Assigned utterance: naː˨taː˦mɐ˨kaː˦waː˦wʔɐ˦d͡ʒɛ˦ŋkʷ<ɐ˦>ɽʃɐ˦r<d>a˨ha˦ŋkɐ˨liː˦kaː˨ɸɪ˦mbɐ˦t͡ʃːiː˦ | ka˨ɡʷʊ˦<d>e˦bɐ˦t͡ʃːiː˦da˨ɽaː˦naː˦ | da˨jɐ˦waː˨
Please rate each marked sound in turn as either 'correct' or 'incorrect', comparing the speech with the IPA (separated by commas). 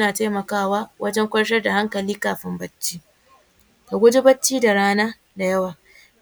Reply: correct, correct, incorrect